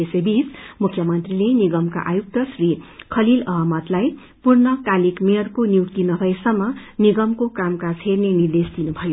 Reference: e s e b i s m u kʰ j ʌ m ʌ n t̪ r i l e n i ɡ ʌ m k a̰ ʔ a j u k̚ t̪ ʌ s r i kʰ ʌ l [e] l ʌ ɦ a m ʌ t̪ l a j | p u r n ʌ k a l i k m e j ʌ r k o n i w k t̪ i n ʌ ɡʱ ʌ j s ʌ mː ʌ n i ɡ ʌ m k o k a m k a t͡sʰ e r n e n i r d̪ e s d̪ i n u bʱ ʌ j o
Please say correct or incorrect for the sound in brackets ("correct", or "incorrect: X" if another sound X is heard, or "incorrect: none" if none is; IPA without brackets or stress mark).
incorrect: i